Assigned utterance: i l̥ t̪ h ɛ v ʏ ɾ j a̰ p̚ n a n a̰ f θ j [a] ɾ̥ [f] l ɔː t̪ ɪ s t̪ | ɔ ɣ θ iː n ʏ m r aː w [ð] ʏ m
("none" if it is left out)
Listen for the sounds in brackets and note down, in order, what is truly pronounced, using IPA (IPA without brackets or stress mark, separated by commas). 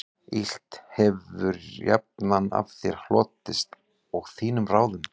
ɛ, h, ð